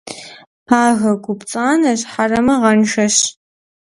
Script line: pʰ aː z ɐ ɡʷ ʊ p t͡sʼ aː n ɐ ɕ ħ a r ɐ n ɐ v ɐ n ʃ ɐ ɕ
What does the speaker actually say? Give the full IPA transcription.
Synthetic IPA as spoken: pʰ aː ɣ ɐ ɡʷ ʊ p t͡sʼ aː n ɐ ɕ ħ a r ɐ m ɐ ʁ ɐ n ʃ ɐ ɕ